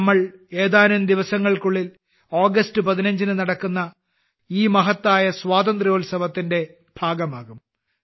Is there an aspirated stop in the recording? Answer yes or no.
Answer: no